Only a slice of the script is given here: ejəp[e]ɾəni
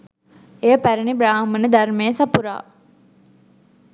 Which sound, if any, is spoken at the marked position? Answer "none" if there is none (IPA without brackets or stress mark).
æ